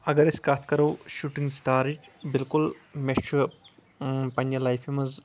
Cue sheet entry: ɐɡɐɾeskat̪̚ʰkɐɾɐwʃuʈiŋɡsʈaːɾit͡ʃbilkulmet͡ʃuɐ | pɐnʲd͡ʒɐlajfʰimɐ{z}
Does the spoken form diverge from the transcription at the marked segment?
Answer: no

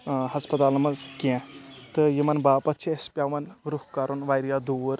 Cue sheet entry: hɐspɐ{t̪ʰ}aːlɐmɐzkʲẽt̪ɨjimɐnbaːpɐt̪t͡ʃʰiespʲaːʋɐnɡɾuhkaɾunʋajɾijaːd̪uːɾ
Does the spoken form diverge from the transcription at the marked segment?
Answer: yes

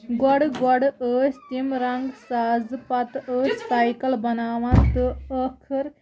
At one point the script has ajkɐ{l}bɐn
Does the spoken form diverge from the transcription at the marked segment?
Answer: no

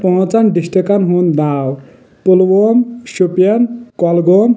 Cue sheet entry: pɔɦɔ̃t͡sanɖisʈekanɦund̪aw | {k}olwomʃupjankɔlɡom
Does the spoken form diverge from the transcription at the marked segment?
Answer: yes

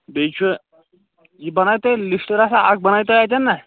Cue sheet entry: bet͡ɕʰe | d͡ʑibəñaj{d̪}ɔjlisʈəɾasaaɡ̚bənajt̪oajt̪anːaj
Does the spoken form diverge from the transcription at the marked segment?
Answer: yes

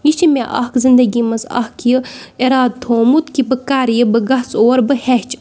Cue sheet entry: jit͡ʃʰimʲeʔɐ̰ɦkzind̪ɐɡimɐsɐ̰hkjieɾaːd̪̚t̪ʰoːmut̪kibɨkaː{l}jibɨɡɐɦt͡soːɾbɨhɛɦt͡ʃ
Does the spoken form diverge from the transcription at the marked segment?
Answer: yes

